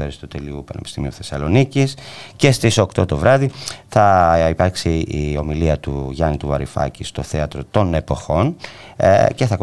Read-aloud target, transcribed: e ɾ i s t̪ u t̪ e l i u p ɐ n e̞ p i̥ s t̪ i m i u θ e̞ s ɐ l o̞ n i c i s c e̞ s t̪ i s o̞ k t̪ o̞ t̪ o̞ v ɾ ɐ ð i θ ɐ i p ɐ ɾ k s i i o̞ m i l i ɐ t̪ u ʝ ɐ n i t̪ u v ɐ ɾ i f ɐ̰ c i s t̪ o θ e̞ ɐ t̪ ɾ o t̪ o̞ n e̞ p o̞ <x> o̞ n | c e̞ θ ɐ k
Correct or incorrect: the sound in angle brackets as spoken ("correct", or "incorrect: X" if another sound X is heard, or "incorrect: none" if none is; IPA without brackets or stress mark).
correct